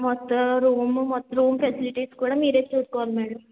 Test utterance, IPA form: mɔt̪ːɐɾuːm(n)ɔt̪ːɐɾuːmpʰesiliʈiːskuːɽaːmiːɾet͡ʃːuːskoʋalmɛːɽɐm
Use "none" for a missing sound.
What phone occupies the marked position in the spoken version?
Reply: m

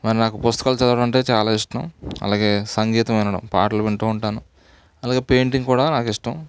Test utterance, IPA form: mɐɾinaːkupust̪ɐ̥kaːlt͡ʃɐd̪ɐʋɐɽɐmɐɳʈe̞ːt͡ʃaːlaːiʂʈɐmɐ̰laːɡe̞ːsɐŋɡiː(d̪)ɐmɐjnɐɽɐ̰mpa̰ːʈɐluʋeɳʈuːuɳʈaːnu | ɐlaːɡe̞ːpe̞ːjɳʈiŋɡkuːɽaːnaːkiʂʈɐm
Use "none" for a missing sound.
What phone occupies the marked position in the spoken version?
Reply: t̪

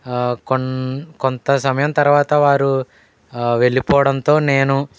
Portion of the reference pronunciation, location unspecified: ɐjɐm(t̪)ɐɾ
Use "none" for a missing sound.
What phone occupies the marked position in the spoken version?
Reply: t̪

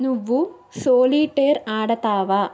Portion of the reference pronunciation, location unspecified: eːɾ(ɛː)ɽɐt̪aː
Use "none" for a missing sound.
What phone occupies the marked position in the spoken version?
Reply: aː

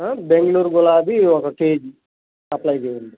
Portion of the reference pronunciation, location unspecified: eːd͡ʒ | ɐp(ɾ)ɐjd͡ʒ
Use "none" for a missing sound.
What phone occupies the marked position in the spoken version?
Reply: l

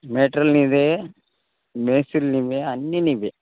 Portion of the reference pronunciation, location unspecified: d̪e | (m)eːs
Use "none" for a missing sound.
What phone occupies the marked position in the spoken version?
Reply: m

